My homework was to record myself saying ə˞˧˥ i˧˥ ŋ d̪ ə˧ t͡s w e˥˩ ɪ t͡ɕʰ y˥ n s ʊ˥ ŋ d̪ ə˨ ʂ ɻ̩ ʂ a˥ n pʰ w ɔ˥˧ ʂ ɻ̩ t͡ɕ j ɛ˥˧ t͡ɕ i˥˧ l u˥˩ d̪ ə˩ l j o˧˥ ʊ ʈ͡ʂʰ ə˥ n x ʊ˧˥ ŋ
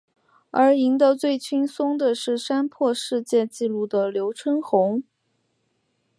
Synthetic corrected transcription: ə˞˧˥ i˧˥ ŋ d̪ ə˧ t͡s w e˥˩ ɪ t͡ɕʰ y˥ n s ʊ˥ ŋ d̪ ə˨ ʂ ɻ̩ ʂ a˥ n pʰ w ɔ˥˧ ʂ ɻ̩ t͡ɕ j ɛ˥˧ t͡ɕ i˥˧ l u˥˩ d̪ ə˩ l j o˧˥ ʊ ʈ͡ʂʰ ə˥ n x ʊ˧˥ ŋ